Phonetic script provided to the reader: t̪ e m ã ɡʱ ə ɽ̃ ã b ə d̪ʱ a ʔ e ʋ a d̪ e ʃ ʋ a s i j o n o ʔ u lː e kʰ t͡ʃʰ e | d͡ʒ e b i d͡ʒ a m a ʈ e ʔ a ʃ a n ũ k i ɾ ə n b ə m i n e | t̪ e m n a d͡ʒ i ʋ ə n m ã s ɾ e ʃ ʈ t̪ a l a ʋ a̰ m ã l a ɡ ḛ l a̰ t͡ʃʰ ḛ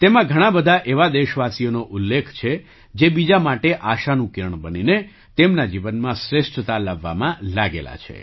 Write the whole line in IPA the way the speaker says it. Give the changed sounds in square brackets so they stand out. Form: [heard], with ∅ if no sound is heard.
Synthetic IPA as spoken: t̪ e m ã ɡʱ ə ɽ̃ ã b ə d̪ʱ a ʔ e ʋ a d̪ e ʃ ʋ a s i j o n o ʔ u lː e kʰ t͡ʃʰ e | d͡ʒ e b i d͡ʒ a m a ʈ e ʔ a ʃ a n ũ k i ɾ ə [ɳ] b ə [n] i n e | t̪ e m n a d͡ʒ i ʋ ə n m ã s ɾ e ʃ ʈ t̪ a l a [ʋː] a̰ m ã l a ɡ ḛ l a̰ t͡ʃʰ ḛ